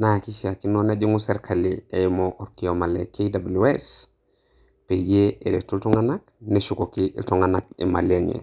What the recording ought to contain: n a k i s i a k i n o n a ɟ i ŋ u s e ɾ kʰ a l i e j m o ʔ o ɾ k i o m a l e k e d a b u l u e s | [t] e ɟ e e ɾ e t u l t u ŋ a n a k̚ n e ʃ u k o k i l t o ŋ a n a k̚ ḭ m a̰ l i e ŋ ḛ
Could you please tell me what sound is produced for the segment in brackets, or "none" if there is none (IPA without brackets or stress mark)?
p